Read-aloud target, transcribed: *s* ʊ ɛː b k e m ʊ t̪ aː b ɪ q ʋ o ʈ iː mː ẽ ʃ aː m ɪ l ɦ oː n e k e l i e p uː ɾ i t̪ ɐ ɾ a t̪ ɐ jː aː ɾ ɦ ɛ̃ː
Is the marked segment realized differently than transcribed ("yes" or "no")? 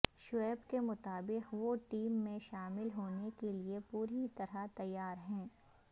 yes